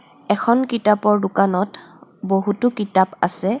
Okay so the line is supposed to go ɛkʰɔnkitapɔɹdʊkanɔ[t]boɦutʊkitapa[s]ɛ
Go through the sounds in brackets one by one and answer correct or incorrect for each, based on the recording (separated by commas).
correct, correct